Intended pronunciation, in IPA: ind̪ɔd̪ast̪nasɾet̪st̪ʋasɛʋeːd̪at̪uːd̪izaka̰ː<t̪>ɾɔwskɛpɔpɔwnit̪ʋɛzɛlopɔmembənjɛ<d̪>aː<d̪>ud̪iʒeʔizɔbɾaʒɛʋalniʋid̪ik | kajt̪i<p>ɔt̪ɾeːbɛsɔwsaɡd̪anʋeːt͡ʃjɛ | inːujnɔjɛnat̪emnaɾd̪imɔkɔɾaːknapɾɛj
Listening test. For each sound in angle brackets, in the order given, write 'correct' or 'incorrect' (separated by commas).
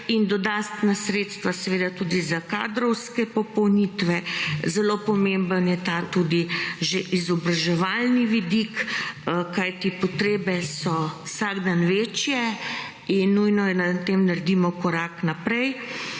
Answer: incorrect, incorrect, incorrect, correct